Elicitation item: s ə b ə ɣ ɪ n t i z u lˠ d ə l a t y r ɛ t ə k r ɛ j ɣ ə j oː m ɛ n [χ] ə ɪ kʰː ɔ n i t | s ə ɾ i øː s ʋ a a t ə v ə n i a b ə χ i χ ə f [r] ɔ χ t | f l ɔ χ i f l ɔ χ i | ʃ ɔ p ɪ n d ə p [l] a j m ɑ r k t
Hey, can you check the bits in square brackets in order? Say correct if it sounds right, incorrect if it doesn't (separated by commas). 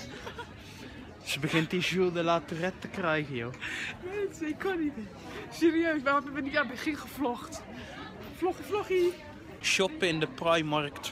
incorrect, incorrect, incorrect